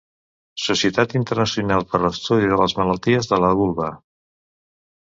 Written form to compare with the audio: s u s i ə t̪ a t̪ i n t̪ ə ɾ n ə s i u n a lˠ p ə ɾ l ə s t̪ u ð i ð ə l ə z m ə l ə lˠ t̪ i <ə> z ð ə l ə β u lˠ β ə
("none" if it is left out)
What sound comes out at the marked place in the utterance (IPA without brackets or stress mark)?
ə